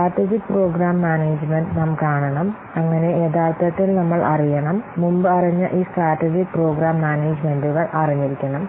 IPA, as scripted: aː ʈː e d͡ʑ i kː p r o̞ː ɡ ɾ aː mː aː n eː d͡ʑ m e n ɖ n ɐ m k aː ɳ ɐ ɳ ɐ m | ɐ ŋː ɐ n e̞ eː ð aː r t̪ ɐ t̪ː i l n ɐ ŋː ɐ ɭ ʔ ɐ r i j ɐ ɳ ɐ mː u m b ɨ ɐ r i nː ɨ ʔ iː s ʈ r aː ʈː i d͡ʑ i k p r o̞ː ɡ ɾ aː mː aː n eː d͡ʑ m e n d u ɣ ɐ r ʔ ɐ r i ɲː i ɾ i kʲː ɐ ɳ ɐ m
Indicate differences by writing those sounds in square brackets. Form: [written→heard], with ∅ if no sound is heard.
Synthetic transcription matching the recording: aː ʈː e d͡ʑ i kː p r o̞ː ɡ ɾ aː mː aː n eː d͡ʑ m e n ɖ n ɐ m k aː ɳ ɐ ɳ ɐ m | ɐ ŋː ɐ n e̞ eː ð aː r t̪ ɐ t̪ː i l n ɐ [ŋː→mː] ɐ ɭ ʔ ɐ r i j ɐ ɳ ɐ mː u m b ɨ ɐ r i [nː→ɲː] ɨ ʔ iː s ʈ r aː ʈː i d͡ʑ i k p r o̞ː ɡ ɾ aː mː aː n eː d͡ʑ m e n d u ɣ ɐ [r→ɭ] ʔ ɐ r i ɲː i ɾ i kʲː ɐ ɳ ɐ m